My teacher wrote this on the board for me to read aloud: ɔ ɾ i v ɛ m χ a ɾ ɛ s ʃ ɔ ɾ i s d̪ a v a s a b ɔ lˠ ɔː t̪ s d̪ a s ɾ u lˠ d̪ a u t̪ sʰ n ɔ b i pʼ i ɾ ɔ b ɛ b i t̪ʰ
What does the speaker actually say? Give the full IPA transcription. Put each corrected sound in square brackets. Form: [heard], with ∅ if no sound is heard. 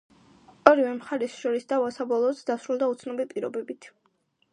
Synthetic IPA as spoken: ɔ ɾ i v ɛ m χ a ɾ ɛ s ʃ ɔ ɾ i s d̪ a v a s a b ɔ lˠ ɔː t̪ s d̪ a s ɾ u lˠ d̪ a u t̪ sʰ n ɔ b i pʼ i ɾ ɔ b ɛ b i t̪ʰ